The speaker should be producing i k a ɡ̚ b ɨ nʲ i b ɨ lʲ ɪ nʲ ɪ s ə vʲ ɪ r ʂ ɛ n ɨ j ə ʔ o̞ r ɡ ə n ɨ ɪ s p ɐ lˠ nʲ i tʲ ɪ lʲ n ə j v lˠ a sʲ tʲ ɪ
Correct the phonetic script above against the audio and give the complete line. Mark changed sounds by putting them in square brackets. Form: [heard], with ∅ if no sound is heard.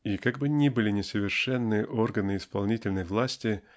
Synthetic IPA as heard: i k a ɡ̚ b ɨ nʲ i b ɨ lʲ ɪ nʲ ɪ s ə vʲ ɪ r ʂ ɛ [nː] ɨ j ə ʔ o̞ r ɡ ə n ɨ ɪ s p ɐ lˠ nʲ i tʲ ɪ lʲ n ə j v lˠ a sʲ tʲ ɪ